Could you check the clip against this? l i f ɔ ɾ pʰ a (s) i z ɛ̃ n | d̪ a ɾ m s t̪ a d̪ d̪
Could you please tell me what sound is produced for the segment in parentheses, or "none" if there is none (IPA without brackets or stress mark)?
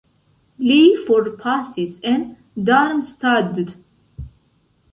s